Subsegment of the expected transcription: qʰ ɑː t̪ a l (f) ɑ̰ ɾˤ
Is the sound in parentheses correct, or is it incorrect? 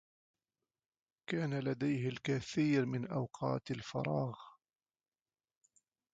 correct